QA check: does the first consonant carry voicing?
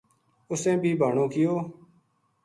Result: no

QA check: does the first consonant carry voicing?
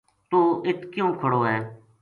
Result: no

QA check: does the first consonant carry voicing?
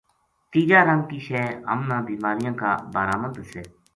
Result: no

